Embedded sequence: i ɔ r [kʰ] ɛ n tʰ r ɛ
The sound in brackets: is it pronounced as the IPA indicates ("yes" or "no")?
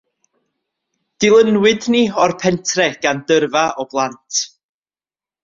no